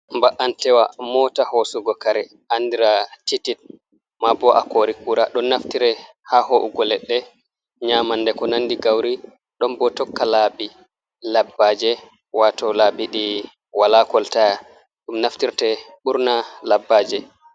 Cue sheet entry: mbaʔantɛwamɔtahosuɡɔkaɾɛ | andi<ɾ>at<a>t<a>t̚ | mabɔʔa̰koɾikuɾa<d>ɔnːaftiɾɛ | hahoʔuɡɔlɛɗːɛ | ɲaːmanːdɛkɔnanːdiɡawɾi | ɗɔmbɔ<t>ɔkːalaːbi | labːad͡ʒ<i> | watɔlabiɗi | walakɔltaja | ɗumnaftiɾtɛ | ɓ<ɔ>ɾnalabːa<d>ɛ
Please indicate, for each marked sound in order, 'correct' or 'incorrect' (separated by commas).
correct, incorrect, incorrect, incorrect, correct, incorrect, incorrect, incorrect